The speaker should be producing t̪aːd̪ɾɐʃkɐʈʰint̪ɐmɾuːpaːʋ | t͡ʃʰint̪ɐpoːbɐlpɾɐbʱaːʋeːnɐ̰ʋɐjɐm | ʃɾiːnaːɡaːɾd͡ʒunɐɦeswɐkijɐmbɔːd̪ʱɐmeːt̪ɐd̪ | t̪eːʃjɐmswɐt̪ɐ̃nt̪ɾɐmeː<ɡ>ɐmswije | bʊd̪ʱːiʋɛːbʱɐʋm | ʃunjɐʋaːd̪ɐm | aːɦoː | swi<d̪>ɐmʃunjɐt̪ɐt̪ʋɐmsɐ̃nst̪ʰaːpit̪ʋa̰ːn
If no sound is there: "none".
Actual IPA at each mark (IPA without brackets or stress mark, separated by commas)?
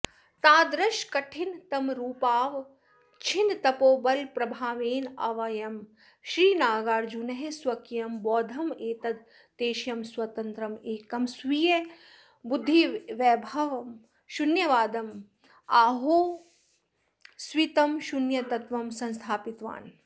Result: k, t̪